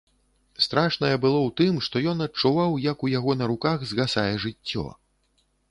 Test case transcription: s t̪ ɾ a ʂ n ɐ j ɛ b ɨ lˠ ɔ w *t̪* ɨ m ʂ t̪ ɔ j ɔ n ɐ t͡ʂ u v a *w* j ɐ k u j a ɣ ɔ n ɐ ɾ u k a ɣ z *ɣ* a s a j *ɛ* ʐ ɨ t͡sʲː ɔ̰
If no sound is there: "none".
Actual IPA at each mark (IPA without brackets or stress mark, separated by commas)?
t̪, w, ɣ, ɛ